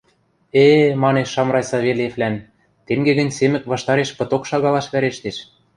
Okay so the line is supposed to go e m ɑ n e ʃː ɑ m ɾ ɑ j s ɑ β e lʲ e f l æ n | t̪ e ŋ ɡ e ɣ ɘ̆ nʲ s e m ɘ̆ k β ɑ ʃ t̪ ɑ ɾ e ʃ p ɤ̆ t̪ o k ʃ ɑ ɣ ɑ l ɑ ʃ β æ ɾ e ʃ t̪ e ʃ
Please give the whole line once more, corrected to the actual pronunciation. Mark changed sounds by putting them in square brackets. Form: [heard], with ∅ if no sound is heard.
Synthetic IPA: e m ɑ n e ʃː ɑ m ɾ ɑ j s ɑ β e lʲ e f l æ n | t̪ e ŋ ɡ e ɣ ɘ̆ nʲ s e m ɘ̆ k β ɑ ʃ t̪ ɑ ɾ e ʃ p ɤ̆ t̪ o k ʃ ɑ ɣ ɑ l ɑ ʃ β æ ɾ e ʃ t̪ e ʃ

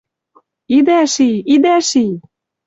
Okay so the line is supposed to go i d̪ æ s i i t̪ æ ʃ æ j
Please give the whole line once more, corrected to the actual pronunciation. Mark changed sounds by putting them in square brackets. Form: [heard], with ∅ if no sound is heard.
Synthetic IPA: i d̪ æ [ʃ] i i [d̪] æ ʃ [i] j

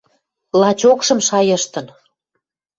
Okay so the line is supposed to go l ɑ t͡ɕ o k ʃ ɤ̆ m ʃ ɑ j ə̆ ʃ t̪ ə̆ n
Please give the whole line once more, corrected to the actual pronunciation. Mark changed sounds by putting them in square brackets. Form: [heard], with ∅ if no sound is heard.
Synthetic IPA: l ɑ t͡ɕ o k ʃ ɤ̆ m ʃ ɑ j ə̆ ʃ t̪ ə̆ n

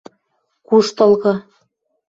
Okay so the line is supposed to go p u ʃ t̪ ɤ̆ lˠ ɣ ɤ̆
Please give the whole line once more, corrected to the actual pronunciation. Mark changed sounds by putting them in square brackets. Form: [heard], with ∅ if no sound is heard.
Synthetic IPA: [k] u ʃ t̪ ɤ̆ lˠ ɣ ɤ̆

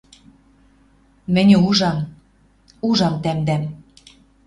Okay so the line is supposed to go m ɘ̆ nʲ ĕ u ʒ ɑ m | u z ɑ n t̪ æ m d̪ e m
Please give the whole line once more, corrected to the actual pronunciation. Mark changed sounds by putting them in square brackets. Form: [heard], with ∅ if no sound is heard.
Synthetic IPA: m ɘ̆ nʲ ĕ u ʒ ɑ m | u [ʒ] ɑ [m] t̪ æ m d̪ [æ] m

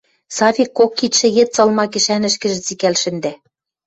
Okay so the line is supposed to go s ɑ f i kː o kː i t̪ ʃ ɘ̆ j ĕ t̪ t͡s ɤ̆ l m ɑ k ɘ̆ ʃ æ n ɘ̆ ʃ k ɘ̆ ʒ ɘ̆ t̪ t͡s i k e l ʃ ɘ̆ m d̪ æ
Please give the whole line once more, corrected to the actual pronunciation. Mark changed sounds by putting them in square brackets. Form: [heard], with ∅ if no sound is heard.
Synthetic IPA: s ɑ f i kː o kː i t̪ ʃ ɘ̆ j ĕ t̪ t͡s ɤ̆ l m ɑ k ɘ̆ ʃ æ n ɘ̆ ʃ k ɘ̆ ʒ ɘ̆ [∅] t͡s i k [æ] l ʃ ɘ̆ [n] d̪ æ

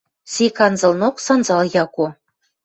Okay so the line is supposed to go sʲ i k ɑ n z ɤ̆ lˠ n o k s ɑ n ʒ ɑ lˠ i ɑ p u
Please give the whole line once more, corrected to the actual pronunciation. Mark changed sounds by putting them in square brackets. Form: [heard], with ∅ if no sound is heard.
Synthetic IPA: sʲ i k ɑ n z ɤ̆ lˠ n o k s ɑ n [z] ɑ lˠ [j] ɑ [k] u

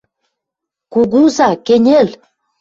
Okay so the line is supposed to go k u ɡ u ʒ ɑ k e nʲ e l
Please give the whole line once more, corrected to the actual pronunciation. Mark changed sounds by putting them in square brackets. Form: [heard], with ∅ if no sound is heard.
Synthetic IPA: k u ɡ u [z] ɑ k e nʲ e l

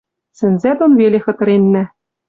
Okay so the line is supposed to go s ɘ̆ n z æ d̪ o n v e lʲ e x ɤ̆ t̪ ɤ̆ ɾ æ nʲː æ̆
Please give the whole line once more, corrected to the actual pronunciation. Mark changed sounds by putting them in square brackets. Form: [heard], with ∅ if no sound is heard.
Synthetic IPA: s ɘ̆ n z æ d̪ o n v e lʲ e x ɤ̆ t̪ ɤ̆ ɾ [e] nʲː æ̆

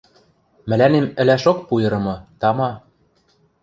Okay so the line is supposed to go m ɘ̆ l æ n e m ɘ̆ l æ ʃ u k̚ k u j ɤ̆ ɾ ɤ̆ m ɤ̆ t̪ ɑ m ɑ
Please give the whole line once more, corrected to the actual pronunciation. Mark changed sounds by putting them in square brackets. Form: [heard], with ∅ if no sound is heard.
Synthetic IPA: m ɘ̆ l æ n e m ɘ̆ l æ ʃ [o] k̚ [p] u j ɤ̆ ɾ ɤ̆ m ɤ̆ t̪ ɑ m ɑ

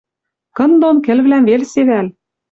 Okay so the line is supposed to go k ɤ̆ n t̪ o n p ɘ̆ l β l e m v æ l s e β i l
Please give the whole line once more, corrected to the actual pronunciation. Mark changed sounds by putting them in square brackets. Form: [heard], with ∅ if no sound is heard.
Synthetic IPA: k ɤ̆ n [d̪] o n [k] ɘ̆ l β l [æ] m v [e] l s e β [æ] l

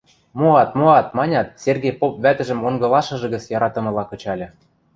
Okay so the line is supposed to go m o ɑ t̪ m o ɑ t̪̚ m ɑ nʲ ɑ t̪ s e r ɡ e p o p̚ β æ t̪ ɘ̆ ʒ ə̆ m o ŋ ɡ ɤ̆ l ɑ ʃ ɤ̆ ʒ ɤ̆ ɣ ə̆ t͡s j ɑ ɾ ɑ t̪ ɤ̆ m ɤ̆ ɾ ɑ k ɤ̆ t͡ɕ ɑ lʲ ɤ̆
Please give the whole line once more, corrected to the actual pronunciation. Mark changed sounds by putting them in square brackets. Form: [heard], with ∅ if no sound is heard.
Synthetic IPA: m o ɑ t̪ m o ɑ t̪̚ m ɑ nʲ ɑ t̪ s e r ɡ e p o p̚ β æ t̪ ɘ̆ ʒ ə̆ m o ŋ ɡ ɤ̆ l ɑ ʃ ɤ̆ ʒ ɤ̆ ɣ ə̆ t͡s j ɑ ɾ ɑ t̪ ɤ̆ m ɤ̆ [l] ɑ k ɤ̆ t͡ɕ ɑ lʲ ɤ̆

